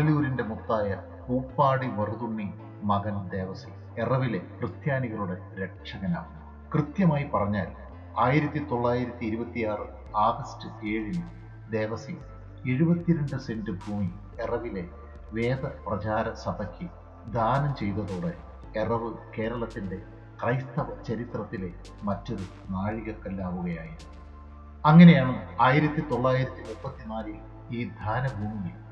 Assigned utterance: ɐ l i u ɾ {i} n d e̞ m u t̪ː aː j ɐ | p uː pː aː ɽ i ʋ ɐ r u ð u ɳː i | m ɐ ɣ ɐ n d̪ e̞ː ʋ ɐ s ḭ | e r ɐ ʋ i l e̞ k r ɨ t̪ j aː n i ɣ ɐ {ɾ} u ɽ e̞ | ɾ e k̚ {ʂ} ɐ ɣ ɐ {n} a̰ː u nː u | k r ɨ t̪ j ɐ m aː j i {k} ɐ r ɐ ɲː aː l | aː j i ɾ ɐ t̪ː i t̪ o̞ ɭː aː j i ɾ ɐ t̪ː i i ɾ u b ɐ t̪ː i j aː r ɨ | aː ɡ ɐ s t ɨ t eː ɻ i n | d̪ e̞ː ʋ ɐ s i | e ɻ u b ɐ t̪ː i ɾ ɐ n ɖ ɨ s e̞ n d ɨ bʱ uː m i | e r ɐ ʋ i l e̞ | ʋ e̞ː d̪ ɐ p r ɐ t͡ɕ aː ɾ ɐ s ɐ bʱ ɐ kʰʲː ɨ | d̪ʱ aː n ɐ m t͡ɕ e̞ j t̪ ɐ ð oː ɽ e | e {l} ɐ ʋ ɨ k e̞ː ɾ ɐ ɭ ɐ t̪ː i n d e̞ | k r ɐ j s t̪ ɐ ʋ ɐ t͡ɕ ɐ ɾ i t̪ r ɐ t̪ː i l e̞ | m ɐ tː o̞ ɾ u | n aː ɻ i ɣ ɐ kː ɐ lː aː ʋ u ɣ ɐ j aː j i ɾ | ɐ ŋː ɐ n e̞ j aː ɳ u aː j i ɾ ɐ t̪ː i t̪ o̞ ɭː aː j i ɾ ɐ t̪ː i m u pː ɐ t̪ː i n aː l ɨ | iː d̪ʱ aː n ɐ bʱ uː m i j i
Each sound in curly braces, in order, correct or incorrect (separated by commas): correct, incorrect, correct, correct, incorrect, incorrect